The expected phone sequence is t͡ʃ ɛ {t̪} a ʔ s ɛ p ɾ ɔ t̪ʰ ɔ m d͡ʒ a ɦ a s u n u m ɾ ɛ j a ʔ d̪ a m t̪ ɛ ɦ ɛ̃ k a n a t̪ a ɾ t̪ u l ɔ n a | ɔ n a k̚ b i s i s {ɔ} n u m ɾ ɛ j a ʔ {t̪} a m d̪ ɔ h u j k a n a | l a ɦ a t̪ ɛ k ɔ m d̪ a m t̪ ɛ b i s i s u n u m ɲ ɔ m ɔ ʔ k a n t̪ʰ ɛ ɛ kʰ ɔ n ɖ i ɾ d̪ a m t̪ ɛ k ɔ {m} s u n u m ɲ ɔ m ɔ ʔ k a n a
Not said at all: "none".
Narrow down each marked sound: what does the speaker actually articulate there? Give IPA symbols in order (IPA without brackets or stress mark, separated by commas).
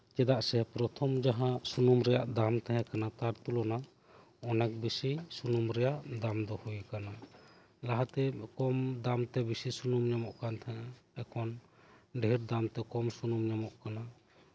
d̪, u, d̪, m